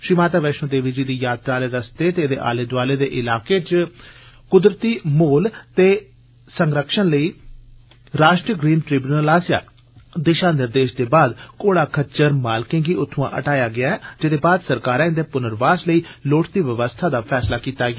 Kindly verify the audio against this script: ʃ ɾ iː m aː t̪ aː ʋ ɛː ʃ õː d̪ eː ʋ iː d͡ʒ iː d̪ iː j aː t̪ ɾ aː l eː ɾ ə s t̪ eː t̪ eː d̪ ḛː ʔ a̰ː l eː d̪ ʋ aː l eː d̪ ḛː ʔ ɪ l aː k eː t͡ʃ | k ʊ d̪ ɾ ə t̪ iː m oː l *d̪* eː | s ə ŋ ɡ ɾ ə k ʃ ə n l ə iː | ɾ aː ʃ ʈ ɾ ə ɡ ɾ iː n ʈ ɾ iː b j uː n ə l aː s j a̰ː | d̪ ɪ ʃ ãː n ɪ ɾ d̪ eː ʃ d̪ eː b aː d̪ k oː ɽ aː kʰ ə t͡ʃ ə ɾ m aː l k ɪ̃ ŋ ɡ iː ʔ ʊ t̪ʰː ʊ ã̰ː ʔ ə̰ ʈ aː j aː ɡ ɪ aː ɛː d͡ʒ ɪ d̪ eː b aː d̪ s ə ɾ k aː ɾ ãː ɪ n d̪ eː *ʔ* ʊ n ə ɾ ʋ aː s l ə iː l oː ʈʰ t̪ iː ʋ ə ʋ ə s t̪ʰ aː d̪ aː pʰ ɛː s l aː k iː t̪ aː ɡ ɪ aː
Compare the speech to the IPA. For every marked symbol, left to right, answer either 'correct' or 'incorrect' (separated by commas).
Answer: incorrect, incorrect